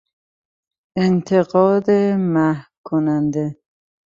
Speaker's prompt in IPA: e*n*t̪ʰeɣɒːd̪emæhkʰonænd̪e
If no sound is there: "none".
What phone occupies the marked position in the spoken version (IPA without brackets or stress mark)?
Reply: n